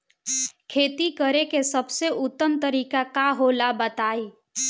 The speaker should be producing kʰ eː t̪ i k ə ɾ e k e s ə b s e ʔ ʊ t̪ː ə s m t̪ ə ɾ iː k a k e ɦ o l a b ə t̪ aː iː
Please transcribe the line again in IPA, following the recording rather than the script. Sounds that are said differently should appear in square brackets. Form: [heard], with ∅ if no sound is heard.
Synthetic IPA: kʰ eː t̪ i k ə ɾ e k e s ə b s e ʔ ʊ t̪ː ə [∅] m t̪ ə ɾ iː k a k [a] ɦ o l a b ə t̪ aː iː